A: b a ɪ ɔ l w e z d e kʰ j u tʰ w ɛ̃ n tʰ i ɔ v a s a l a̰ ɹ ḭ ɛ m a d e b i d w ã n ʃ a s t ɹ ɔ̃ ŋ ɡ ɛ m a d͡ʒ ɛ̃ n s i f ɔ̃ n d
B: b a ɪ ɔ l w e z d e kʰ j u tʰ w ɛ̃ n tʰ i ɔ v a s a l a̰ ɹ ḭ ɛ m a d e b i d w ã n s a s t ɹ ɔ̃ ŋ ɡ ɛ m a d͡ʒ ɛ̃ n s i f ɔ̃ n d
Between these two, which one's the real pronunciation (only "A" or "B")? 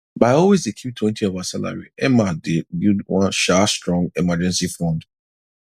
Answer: A